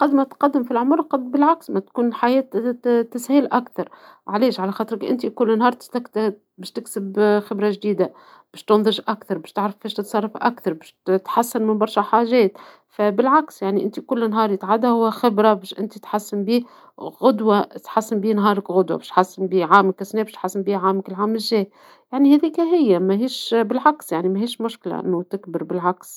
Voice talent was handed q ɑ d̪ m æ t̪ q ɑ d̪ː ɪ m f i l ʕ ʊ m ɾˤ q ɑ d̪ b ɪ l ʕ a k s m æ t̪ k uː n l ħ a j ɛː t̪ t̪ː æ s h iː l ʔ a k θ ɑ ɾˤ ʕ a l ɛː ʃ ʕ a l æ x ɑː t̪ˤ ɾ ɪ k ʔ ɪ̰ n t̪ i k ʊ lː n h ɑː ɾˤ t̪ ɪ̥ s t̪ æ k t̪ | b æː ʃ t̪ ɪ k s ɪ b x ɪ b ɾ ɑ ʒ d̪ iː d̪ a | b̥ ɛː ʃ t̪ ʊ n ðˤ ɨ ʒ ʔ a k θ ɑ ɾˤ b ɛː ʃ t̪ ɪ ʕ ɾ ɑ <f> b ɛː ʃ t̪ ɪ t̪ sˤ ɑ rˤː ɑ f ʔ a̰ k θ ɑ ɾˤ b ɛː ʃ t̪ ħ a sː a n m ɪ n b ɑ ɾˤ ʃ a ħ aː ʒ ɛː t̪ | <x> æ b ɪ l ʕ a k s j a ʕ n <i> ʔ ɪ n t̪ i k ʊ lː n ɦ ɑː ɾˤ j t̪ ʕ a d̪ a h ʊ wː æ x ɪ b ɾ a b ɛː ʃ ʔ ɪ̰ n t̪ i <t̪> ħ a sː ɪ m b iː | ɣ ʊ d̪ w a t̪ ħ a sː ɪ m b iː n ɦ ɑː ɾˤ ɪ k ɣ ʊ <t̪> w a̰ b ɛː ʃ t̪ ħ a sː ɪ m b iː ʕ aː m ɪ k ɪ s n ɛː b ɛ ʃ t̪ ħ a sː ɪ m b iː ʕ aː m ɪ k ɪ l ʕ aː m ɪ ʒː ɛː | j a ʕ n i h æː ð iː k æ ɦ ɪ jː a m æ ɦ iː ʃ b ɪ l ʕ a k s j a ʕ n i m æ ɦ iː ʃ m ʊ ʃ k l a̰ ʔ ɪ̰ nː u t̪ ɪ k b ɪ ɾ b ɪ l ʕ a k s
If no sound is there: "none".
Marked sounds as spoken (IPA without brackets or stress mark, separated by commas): f, f, i, t̪, d̪